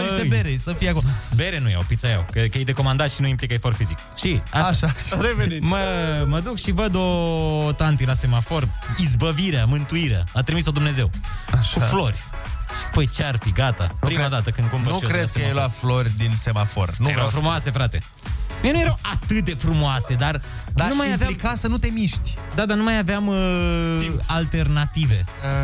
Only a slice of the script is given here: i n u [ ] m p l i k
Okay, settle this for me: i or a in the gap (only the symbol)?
i